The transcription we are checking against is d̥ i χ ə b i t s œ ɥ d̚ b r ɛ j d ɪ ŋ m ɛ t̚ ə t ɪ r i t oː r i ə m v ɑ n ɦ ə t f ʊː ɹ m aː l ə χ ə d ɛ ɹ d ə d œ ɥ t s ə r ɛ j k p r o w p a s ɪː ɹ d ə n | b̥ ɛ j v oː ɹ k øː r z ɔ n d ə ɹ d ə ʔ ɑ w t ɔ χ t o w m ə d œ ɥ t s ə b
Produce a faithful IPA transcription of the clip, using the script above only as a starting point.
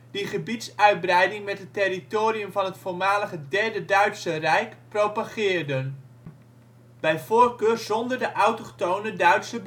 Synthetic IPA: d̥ i χ ə b i t s œ ɥ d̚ b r ɛ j d ɪ ŋ m ɛ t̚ ə t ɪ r i t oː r i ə m v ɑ n ɦ ə t f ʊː ɹ m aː l ə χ ə d ɛ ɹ d ə d œ ɥ t s ə r ɛ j k p r o w p a χ ɪː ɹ d ə n | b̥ ɛ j v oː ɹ k øː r z ɔ n d ə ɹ d ə ʔ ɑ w t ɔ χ t o w n ə d œ ɥ t s ə b